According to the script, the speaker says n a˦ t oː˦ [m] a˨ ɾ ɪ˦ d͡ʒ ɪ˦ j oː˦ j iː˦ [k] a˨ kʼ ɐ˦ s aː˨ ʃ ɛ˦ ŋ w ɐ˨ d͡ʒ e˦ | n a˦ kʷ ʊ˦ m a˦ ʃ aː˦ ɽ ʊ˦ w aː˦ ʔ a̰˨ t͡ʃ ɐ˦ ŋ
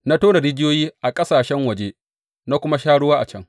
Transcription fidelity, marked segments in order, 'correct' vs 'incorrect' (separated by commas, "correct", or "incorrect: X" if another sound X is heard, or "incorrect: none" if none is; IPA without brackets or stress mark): incorrect: n, incorrect: ʔ